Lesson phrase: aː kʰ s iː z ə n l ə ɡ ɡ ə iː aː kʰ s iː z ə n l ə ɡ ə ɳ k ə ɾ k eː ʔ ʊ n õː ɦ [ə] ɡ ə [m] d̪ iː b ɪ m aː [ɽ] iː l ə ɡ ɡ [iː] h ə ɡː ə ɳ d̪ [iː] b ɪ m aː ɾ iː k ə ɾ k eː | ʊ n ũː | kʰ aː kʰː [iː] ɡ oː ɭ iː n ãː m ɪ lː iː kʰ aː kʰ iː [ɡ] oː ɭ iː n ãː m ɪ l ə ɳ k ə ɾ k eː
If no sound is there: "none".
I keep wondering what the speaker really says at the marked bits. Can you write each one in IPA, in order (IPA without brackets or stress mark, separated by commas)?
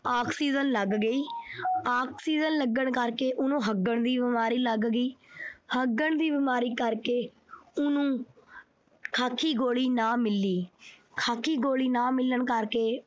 ə, ɳ, ɾ, iː, iː, iː, ɡ